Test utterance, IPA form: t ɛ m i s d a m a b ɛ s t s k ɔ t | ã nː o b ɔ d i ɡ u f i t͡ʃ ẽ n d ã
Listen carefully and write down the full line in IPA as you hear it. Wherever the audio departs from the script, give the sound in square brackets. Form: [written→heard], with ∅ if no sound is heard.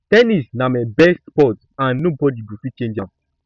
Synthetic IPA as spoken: t ɛ [m→n] i s [d→n] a m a b ɛ s t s [k→p] ɔ t | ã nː o b ɔ d i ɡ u f i t͡ʃ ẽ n [d→d͡ʒ] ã